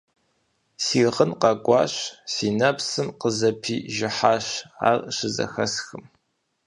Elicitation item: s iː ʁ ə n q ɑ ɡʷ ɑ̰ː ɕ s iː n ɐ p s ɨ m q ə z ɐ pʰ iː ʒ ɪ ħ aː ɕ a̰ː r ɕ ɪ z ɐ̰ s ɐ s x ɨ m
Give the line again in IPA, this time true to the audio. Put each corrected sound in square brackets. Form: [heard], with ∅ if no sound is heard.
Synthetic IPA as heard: s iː ʁ ə n q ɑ ɡʷ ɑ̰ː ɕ s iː n ɐ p s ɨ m q ə z ɐ pʰ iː ʒ ɪ ħ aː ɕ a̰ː r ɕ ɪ z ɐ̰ [x] ɐ s x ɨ m